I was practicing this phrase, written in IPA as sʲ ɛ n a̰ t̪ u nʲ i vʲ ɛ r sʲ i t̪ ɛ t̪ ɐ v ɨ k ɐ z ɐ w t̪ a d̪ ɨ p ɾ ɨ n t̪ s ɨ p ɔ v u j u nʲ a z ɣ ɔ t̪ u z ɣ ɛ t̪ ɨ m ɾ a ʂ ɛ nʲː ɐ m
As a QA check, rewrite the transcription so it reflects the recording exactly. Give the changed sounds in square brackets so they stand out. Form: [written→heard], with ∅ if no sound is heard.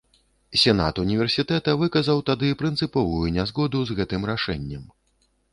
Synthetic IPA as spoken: sʲ ɛ n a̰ t̪ u nʲ i vʲ ɛ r sʲ i t̪ ɛ t̪ ɐ v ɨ k ɐ z ɐ w t̪ a d̪ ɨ p ɾ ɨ n t̪ s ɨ p ɔ v u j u nʲ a z ɣ ɔ [t̪→d̪] u z ɣ ɛ t̪ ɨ m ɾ a ʂ ɛ nʲː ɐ m